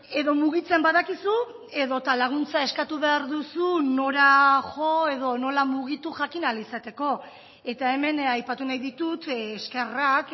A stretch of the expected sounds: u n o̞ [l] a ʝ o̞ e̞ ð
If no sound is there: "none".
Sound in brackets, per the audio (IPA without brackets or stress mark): ɾ